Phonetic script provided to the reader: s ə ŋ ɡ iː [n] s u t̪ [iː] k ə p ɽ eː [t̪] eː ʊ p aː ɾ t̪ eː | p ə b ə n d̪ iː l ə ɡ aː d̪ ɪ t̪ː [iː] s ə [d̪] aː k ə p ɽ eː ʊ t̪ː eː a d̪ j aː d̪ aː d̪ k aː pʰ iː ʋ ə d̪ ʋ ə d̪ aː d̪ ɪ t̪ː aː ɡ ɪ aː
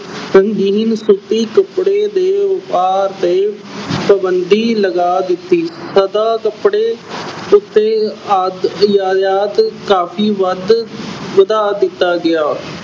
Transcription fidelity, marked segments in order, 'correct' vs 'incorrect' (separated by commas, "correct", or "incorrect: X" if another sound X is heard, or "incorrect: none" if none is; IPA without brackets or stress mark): correct, correct, incorrect: d̪, correct, correct